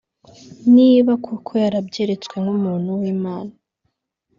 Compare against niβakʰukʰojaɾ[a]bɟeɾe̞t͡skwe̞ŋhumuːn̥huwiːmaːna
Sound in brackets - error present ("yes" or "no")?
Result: no